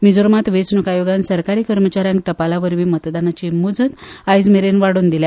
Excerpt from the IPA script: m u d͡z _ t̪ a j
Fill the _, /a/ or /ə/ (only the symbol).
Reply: ə